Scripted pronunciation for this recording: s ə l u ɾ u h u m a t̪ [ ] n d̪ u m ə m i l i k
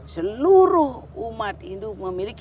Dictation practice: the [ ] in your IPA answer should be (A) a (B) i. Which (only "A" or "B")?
B